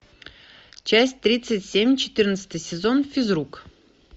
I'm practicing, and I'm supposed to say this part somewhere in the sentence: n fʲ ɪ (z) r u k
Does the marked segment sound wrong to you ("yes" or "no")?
no